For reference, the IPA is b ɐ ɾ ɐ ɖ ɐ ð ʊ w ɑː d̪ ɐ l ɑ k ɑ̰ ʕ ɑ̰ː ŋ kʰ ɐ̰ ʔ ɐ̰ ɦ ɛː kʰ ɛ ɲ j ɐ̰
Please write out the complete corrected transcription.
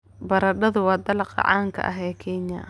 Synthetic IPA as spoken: b ɐ ɾ ɐ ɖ ɐ ð ʊ w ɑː d̪ ɐ l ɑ q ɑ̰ ʕ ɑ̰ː ŋ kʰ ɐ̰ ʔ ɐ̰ ɦ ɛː kʰ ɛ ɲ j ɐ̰